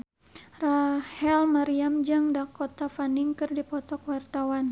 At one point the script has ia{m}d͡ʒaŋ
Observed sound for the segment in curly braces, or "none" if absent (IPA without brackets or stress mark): m